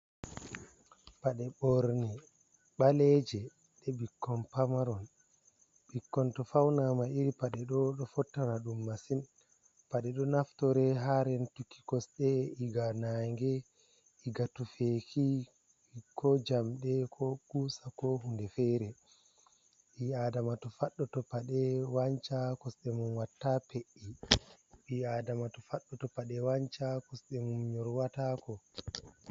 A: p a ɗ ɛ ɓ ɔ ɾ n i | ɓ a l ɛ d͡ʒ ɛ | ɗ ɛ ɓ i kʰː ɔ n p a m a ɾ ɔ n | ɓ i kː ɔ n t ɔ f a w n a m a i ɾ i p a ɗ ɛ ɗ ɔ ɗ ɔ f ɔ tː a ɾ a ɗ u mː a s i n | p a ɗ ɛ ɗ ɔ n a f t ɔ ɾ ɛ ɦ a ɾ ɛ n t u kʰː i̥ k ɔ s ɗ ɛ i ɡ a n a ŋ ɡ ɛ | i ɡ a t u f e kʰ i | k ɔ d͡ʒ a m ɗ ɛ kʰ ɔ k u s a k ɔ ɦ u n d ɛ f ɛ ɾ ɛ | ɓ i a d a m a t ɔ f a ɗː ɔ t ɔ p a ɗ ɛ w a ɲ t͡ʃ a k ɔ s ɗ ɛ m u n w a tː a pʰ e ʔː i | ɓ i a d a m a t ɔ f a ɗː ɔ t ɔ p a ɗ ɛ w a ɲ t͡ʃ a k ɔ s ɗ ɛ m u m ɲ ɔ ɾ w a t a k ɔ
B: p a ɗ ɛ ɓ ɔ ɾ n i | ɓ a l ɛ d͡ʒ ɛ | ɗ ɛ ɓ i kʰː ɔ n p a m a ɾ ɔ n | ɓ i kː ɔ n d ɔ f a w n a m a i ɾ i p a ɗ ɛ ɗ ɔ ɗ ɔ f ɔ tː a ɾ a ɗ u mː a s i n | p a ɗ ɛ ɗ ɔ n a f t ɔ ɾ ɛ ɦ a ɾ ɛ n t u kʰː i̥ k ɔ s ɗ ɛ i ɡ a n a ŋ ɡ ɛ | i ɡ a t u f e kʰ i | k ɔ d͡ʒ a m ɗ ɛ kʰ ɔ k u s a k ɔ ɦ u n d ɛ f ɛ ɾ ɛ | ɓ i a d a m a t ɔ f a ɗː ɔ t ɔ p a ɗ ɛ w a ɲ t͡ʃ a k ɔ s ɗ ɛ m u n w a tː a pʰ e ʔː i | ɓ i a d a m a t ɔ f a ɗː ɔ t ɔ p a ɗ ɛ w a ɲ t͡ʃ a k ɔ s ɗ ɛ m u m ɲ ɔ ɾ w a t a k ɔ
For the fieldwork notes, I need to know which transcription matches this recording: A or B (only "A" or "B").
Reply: A